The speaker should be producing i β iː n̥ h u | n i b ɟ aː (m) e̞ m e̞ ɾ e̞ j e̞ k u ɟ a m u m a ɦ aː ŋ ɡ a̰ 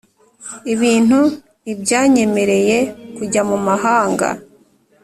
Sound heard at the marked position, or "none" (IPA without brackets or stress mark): ɲ